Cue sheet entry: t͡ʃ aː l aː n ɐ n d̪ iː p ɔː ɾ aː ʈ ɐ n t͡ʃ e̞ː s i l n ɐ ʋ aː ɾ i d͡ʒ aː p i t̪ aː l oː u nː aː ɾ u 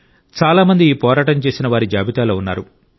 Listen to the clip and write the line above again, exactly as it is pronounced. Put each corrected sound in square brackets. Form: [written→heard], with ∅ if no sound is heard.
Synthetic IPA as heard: t͡ʃ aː l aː [n→m] ɐ n d̪ iː p ɔː ɾ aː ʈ ɐ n t͡ʃ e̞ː s i [l→∅] n ɐ ʋ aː ɾ i d͡ʒ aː [p→b] i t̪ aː l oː u nː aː ɾ u